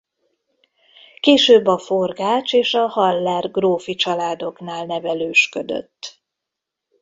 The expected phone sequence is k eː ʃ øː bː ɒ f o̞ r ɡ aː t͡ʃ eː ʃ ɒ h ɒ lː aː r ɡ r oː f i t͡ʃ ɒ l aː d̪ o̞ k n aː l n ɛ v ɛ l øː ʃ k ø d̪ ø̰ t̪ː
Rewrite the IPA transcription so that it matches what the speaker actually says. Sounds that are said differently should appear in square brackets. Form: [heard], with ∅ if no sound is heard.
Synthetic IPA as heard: k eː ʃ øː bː ɒ f o̞ r ɡ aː t͡ʃ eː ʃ ɒ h ɒ lː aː r ɡ r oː f i t͡ʃ ɒ l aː d̪ o̞ k n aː l n ɛ v ɛ l øː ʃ k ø d̪ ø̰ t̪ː